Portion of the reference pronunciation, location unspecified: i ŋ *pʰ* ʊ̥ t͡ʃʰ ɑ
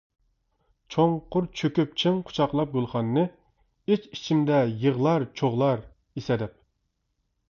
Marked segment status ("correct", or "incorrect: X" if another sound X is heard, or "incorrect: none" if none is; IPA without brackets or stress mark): incorrect: qʰ